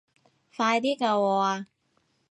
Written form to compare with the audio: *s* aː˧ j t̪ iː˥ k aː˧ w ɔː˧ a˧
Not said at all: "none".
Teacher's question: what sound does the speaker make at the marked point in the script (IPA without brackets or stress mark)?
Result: f